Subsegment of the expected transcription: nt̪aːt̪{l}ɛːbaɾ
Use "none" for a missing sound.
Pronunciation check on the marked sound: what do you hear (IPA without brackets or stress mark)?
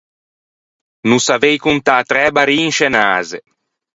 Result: ɾ